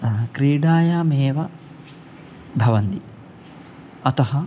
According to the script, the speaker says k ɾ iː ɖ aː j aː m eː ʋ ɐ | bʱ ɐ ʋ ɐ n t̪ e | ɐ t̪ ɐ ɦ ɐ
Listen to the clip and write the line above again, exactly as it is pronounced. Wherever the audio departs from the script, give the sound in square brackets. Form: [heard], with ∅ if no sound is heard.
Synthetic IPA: k ɾ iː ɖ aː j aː m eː ʋ ɐ | bʱ ɐ ʋ ɐ n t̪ [i] | ɐ t̪ ɐ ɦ ɐ